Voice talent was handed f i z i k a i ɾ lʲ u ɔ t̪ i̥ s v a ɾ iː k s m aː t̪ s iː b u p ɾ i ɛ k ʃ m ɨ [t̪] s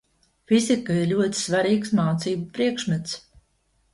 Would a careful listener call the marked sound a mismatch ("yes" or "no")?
no